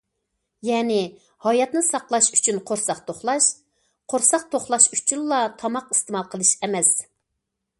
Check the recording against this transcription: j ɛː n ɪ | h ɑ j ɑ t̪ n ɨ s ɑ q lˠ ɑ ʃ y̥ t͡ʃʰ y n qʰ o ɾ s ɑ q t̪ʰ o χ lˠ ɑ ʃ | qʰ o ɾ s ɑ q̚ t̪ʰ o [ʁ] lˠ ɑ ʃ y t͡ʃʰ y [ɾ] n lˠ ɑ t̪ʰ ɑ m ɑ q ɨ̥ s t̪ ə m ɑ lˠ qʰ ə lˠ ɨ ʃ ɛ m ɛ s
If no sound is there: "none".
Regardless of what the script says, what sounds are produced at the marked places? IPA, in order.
χ, none

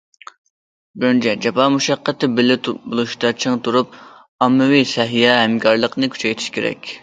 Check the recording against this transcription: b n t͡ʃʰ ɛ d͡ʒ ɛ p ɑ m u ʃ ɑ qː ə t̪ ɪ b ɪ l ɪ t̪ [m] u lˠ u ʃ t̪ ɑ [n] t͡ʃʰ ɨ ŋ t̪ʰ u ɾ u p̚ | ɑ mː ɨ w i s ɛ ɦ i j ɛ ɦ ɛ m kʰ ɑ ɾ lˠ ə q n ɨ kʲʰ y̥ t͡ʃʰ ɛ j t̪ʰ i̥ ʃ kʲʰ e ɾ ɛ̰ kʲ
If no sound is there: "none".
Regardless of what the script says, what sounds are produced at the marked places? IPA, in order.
b, none

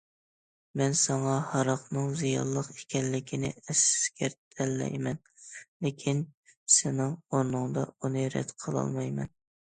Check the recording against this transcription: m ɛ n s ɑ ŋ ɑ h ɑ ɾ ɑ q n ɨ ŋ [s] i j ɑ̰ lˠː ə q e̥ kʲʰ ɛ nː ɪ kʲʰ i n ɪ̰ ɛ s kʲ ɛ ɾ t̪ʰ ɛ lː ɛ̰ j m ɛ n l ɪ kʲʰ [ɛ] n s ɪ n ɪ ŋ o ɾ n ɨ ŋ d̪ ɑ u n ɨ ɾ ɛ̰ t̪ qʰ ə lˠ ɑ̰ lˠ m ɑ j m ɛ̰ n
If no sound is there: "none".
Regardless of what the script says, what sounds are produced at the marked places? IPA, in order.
z, i

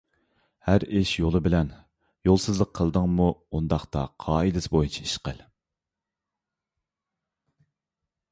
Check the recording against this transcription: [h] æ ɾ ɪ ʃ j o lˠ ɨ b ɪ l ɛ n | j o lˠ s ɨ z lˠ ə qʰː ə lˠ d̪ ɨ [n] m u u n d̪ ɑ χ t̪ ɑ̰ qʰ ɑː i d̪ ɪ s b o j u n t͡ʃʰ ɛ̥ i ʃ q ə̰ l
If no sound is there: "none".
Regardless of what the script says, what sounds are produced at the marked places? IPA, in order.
h, ŋ

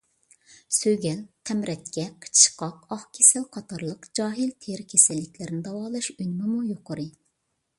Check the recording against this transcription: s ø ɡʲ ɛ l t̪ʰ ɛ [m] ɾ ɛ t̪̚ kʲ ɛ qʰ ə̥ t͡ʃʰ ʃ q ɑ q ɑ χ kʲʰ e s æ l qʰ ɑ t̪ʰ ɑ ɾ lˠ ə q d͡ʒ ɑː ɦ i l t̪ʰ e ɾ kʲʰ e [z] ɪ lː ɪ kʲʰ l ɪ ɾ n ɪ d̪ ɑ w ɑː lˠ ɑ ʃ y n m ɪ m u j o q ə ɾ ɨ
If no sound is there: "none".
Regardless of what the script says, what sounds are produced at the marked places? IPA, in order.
m, s

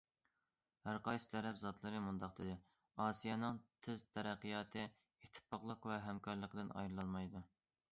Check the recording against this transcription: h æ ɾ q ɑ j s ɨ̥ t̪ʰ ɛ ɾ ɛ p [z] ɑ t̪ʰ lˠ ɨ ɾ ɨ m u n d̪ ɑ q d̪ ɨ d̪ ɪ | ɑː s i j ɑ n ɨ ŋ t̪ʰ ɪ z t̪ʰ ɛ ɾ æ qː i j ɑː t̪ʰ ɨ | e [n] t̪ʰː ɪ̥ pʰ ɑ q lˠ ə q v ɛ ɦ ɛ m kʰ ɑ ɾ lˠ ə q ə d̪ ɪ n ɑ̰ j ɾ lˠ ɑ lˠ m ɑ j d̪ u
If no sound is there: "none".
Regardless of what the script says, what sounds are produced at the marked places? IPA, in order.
z, none

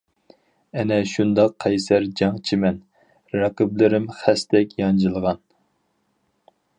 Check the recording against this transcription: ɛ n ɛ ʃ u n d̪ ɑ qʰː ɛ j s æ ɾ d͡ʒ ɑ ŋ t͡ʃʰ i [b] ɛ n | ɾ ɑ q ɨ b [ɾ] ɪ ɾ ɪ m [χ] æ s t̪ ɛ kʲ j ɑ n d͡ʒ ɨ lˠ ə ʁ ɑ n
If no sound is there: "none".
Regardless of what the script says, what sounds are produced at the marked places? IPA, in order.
m, l, χ

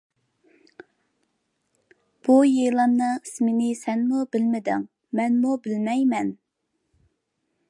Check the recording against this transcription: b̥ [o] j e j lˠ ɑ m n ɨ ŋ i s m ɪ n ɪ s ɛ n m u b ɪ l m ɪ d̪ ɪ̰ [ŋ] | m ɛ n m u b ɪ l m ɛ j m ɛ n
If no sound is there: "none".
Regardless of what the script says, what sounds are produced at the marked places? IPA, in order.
u, ŋ

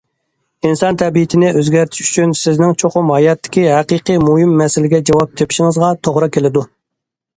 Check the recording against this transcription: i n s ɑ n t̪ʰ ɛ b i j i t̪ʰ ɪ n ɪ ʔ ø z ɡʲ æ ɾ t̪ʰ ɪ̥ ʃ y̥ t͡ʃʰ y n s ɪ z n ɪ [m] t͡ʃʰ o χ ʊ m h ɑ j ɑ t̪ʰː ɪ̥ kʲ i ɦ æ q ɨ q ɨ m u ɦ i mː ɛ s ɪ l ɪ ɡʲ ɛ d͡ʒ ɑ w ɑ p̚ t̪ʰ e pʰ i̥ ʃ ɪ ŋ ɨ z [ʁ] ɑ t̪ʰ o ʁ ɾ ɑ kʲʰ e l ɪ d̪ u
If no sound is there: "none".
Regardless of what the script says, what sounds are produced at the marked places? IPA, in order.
ŋ, ʁ

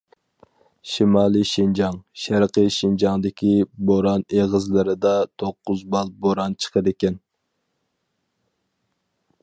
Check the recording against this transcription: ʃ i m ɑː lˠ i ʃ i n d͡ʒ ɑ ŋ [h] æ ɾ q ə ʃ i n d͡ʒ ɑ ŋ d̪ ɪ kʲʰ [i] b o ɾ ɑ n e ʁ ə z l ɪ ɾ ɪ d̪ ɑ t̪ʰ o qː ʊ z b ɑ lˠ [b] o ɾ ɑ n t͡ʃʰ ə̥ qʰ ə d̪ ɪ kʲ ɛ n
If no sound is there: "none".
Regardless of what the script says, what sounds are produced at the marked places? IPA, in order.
ʃ, i, b

